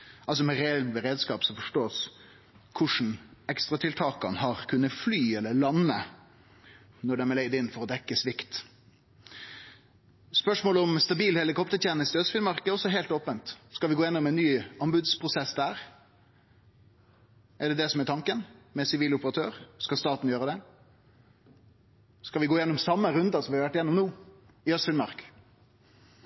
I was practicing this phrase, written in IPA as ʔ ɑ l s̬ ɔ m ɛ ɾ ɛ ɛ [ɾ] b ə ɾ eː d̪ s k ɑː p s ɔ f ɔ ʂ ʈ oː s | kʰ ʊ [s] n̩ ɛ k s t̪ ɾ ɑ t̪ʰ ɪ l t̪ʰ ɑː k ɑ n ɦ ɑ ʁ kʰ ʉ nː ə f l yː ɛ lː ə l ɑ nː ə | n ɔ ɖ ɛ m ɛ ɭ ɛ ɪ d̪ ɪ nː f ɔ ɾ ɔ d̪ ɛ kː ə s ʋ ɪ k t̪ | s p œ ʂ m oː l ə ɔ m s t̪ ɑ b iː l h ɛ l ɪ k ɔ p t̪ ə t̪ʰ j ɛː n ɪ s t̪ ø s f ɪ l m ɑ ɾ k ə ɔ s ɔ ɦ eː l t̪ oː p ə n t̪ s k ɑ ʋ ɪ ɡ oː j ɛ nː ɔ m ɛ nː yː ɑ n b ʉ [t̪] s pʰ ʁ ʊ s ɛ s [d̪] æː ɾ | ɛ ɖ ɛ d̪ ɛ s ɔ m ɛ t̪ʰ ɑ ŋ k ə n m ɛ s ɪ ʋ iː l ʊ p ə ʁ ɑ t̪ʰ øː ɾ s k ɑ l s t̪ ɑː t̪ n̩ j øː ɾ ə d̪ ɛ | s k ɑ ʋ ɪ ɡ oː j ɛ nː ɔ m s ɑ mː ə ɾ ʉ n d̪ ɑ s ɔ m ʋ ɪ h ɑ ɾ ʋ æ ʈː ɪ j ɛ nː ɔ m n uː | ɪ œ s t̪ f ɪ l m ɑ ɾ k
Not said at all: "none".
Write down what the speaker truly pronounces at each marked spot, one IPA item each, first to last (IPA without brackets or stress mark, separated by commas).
l, ʂ, d̪, d̪